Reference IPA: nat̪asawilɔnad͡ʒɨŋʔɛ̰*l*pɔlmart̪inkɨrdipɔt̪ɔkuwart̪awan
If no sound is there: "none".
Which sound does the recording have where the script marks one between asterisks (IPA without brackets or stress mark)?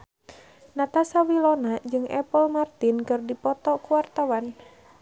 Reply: none